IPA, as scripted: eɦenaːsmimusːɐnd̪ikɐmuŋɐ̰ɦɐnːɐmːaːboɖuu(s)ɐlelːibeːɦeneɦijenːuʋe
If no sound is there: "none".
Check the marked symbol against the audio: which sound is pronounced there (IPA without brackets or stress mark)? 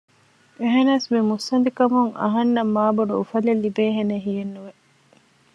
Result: f